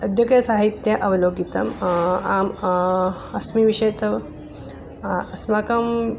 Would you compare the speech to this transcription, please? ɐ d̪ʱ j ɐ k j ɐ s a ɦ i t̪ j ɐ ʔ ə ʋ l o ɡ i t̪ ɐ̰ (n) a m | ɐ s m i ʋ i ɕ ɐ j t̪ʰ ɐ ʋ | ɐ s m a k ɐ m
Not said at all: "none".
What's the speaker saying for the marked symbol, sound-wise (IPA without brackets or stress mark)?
m